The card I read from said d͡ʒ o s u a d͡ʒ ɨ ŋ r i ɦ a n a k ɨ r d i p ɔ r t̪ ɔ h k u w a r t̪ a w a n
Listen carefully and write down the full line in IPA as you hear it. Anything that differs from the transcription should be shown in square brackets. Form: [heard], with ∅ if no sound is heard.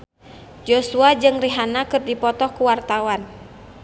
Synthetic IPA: d͡ʒ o s u a d͡ʒ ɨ ŋ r i ɦ a n a k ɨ r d i p ɔ [∅] t̪ ɔ h k u w a r t̪ a w a n